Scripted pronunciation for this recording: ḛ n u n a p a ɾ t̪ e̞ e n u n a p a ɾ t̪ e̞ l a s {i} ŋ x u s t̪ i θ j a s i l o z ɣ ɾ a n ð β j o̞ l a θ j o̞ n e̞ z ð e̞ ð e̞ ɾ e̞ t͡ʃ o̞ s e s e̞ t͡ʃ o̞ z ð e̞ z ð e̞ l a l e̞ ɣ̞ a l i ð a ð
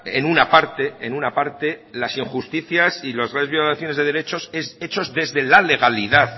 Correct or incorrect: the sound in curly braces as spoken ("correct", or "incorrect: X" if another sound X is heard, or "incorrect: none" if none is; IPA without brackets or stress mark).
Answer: correct